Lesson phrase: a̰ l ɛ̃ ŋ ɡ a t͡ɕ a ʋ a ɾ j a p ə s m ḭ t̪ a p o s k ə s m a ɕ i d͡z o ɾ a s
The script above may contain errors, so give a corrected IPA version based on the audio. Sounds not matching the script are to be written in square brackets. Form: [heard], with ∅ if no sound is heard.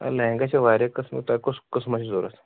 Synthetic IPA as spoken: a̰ l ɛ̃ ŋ ɡ a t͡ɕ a ʋ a ɾ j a [k] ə s m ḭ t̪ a [k] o s k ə s m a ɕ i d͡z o ɾ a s